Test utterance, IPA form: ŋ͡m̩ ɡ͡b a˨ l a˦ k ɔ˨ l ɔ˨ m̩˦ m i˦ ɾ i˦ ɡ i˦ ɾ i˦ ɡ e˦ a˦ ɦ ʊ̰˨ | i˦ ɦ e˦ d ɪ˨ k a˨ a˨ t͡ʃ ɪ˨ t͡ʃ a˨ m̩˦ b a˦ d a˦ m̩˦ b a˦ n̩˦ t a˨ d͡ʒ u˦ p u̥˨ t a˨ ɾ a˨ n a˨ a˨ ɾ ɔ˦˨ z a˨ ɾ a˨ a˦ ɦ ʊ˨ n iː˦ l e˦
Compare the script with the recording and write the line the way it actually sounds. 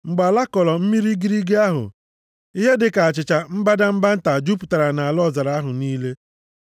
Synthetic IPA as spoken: ŋ͡m̩ ɡ͡b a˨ l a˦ k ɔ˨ l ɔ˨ m̩˦ m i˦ ɾ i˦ ɡ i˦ ɾ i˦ ɡ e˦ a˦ ɦ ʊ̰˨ | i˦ ɦ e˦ d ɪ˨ k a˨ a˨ t͡ʃ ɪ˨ t͡ʃ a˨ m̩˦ b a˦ d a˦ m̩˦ b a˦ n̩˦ t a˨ d͡ʒ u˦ p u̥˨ t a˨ ɾ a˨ n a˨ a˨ l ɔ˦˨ z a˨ ɾ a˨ a˦ ɦ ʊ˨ n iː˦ l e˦

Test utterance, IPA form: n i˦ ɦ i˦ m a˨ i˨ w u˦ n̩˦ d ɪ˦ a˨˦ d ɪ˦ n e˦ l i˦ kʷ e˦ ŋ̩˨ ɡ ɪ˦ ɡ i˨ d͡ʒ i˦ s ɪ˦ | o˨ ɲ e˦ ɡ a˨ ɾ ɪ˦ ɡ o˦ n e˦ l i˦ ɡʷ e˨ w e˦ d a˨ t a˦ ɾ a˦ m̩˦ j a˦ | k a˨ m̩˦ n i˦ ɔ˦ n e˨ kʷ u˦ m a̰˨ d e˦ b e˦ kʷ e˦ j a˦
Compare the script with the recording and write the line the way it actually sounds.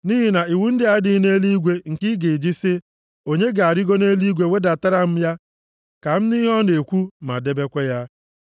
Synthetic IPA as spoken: n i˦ ɦ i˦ n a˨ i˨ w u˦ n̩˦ d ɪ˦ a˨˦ d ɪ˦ n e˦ l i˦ ɡʷ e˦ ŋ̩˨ k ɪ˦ ɡ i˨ d͡ʒ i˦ s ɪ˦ | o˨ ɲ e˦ ɡ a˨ ɾ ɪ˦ ɡ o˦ n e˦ l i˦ ɡʷ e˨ w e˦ d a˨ t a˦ ɾ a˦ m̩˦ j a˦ | k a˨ m̩˦ n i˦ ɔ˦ n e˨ kʷ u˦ m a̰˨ d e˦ b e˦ kʷ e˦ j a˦

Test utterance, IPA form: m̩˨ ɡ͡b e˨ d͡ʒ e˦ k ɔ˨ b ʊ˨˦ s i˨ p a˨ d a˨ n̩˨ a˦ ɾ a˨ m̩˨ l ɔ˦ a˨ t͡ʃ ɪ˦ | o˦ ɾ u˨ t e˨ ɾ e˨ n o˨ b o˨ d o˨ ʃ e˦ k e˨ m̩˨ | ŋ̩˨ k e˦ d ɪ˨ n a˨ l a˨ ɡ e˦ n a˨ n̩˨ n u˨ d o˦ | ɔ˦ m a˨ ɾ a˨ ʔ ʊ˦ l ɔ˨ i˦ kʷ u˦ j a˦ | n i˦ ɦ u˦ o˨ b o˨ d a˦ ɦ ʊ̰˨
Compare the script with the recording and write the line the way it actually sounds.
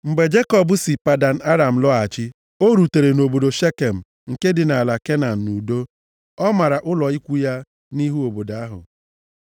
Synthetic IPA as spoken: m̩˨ ɡ͡b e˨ d͡ʒ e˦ k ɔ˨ b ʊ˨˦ s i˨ p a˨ d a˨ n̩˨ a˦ ɾ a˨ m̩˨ l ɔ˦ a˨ t͡ʃ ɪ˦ | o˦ ɾ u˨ t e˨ ɾ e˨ n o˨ b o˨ d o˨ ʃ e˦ k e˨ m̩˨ | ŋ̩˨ k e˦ d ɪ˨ n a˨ l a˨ k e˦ n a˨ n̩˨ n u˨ d o˦ | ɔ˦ m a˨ ɾ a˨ ʔ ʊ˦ l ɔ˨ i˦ kʷ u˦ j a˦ | n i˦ ɦ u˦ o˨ b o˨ d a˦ ɦ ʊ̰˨

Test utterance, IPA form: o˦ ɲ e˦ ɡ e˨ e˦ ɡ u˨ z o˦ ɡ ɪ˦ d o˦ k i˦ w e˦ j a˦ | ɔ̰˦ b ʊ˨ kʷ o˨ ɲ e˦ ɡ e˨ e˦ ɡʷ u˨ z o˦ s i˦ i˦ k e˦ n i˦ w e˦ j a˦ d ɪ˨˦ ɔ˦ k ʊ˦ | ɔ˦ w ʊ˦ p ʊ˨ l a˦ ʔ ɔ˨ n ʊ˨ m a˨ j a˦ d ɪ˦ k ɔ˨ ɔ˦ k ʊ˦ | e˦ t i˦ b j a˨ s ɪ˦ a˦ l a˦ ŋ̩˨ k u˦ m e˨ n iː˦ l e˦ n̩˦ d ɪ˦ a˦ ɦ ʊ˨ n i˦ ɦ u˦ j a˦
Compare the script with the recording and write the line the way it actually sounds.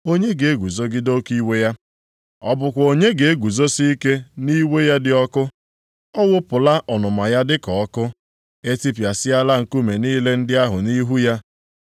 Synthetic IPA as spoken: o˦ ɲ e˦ ɡ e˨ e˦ ɡ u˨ z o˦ ɡ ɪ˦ d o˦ k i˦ w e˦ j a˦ | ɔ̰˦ b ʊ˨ kʷ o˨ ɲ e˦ ɡ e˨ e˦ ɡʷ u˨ z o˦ s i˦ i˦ k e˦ n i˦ w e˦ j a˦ d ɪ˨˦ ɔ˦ k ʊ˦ | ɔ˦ w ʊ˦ p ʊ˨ l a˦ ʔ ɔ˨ n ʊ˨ m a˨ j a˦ d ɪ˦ k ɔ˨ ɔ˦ k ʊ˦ | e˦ t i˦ p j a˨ s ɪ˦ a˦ l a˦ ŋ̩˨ k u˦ m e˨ n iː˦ l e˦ n̩˦ d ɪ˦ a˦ ɦ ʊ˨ n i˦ ɦ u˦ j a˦

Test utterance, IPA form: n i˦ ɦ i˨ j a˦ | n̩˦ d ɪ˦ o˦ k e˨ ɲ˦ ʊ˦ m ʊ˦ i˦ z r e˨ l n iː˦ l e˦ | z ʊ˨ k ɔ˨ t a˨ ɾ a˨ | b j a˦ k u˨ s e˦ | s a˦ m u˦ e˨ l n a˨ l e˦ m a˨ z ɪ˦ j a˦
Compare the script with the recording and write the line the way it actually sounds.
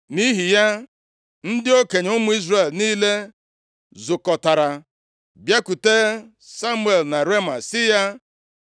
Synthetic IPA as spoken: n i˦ ɦ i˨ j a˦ | n̩˦ d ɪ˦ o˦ k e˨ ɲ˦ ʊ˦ m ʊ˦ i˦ z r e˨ l n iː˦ l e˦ | z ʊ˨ k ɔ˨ t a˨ ɾ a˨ | b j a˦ k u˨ t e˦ | s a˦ m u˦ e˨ l n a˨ ɾ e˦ m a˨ s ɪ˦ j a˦

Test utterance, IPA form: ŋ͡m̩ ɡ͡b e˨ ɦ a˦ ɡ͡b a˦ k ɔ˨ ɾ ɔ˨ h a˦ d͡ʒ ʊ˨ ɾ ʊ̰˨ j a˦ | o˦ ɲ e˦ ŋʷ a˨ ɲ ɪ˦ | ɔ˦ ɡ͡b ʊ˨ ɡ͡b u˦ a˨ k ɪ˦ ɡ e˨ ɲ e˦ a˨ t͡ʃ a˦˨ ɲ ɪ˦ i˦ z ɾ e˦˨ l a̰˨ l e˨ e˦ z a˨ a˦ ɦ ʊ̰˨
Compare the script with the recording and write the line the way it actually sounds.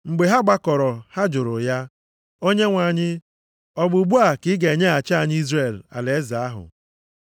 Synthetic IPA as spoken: ŋ͡m̩ ɡ͡b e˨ ɦ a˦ ɡ͡b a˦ k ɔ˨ ɾ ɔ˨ h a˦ d͡ʒ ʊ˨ ɾ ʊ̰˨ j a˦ | o˦ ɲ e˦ ŋʷ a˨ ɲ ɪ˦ | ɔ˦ ɡ͡b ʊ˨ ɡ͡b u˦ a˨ k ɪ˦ ɡ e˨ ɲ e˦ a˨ t͡ʃ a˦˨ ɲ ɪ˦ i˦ z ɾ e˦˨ l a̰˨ l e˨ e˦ z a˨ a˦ ɦ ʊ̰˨

